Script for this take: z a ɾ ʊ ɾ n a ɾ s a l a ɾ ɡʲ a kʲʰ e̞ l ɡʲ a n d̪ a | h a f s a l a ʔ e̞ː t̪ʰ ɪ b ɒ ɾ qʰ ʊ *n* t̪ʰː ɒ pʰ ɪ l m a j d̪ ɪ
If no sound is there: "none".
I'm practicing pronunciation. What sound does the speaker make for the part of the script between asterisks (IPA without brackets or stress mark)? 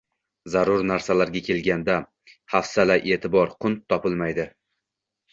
n